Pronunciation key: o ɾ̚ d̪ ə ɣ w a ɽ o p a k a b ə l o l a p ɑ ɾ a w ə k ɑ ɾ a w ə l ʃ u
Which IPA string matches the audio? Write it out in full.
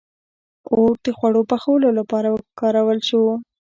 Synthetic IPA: o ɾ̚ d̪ ə x w a ɽ o p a x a w ə l o l a p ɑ ɾ a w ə k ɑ ɾ a w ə l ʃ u